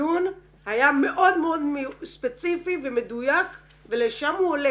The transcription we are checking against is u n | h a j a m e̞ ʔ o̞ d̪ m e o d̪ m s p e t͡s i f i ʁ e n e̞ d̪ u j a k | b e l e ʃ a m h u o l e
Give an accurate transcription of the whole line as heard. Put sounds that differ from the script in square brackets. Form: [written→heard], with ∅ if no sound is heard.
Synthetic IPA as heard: u n | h a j a m e̞ ʔ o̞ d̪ m e o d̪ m s p e t͡s i f i [ʁ→v] e [n→m] e̞ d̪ u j a k | [b→v] e l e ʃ a m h u o l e